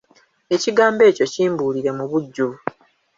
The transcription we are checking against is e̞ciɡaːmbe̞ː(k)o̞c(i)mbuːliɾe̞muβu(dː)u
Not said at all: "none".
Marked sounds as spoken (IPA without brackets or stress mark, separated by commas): c, iː, ɟː